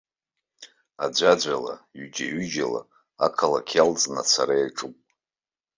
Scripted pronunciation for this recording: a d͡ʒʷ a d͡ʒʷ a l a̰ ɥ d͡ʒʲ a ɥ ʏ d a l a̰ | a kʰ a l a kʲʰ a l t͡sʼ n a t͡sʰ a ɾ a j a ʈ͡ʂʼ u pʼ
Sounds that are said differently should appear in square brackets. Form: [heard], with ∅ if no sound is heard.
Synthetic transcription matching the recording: a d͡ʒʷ a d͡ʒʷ a l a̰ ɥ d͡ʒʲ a ɥ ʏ [d͡ʒ] a l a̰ | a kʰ a l a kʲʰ a l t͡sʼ n a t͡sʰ a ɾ a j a ʈ͡ʂʼ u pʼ